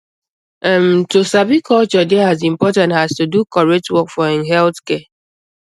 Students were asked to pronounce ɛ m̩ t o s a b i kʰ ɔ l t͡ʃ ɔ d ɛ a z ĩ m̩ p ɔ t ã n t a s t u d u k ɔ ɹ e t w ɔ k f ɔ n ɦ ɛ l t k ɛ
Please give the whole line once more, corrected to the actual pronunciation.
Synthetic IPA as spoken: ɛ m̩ t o s a b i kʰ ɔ l t͡ʃ ɔ d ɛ a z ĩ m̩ p ɔ t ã n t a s t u d u k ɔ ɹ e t w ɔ k f ɔ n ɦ ɛ l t k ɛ